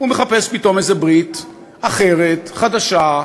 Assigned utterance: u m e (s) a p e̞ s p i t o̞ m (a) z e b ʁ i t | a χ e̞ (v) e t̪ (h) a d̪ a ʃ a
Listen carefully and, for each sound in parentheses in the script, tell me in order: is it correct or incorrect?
incorrect: χ, incorrect: e, incorrect: ʁ, incorrect: χ

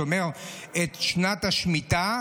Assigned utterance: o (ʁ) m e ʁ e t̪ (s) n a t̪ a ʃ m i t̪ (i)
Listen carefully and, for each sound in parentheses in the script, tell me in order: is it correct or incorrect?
incorrect: none, incorrect: ʃ, incorrect: a

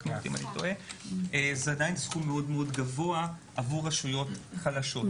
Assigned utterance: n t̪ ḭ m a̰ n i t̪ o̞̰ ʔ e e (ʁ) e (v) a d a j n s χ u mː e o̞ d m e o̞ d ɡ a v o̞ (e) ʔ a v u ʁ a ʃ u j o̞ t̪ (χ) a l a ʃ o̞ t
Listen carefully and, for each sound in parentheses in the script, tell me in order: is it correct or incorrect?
incorrect: z, incorrect: none, incorrect: a, correct

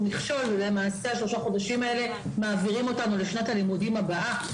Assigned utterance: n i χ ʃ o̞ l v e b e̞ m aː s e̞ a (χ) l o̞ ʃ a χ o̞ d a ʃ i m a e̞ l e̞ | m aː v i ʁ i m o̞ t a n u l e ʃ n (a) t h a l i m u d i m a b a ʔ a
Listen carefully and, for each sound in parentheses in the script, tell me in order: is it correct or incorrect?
incorrect: ʃ, correct

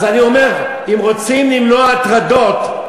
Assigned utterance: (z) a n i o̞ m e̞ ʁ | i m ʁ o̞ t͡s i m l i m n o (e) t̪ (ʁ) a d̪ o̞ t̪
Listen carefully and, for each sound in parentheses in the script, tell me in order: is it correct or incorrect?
correct, incorrect: a, correct

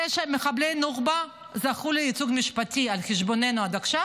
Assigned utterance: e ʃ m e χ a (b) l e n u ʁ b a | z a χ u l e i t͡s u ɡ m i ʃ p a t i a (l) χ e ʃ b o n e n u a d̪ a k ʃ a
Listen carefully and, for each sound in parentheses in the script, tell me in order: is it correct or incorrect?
correct, correct

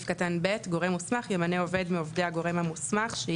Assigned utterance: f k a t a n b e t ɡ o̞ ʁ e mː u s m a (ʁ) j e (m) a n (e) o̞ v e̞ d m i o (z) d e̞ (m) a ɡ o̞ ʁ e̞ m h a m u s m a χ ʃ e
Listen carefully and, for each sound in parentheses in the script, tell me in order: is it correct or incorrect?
incorrect: χ, correct, correct, incorrect: v, incorrect: none

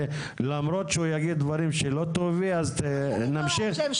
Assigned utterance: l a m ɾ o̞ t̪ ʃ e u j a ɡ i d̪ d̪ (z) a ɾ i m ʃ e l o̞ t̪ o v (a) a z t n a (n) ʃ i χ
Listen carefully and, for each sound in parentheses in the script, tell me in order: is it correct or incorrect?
incorrect: v, incorrect: i, incorrect: m

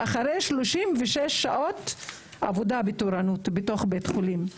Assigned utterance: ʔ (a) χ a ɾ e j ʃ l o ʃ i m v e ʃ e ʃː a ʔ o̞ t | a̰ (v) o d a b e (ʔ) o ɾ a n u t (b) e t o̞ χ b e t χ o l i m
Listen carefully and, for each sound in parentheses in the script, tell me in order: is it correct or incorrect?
correct, correct, incorrect: t, correct

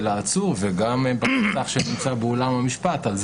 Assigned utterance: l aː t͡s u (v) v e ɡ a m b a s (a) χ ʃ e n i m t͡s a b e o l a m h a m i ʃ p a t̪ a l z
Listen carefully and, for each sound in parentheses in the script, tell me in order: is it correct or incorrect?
incorrect: ʁ, correct

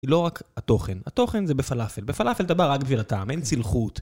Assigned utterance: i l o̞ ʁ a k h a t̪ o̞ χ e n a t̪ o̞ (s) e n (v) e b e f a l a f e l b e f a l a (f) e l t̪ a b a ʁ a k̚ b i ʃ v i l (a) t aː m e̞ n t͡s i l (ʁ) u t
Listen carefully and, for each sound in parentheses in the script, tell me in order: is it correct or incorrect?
incorrect: χ, incorrect: z, correct, correct, incorrect: χ

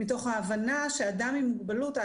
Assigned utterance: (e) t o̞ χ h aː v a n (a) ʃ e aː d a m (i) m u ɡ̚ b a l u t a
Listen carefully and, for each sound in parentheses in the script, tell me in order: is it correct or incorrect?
incorrect: i, correct, correct

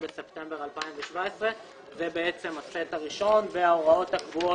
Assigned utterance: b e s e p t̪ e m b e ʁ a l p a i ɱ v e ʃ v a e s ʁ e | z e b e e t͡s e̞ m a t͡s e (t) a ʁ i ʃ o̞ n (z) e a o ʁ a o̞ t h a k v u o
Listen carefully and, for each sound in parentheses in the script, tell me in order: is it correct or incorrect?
correct, incorrect: v

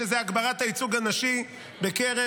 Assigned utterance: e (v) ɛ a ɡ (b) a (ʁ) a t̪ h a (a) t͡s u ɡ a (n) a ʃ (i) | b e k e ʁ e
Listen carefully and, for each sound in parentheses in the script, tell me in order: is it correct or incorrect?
incorrect: z, correct, correct, incorrect: i, correct, correct

